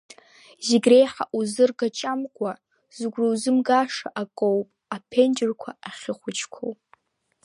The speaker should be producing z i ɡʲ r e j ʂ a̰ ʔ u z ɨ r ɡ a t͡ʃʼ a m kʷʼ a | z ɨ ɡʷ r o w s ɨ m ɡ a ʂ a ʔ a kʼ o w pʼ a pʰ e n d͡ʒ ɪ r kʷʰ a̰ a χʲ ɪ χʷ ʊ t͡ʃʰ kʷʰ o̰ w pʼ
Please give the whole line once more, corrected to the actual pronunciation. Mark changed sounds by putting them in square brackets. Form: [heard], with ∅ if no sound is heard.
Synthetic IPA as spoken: z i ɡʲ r e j [ħ] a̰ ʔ u z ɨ r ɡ a t͡ʃʼ a m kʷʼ a | z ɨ ɡʷ r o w [z] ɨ m ɡ a ʂ a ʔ a kʼ o w pʼ a pʰ e n d͡ʒ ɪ r kʷʰ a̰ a χʲ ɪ χʷ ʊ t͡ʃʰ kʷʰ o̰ w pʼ